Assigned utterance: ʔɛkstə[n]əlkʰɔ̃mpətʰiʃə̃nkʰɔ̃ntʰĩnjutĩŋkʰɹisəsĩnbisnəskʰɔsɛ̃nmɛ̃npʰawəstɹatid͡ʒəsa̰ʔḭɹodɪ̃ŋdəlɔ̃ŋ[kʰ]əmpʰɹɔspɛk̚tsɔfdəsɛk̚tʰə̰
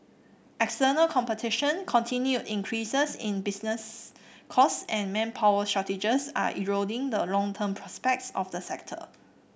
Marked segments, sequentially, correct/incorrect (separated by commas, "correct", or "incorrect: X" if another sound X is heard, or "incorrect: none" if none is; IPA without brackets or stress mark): correct, incorrect: tʰ